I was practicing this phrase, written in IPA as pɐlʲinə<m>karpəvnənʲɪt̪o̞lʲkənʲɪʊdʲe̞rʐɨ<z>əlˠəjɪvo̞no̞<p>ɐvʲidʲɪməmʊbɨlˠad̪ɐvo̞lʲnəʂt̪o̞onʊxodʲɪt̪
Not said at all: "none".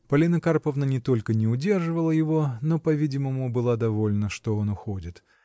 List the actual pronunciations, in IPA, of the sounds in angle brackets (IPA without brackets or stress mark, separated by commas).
none, v, p